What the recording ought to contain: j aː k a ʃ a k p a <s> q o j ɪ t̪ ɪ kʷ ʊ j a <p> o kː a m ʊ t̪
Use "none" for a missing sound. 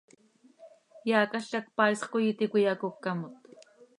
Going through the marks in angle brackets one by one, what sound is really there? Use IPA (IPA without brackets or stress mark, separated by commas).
s, k